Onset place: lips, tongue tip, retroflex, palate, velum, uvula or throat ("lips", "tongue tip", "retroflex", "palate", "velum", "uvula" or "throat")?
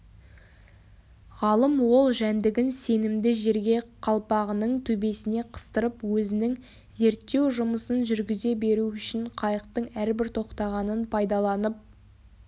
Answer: uvula